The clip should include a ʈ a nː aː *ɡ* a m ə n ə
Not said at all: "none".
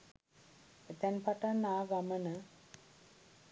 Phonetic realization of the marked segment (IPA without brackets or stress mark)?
ɡ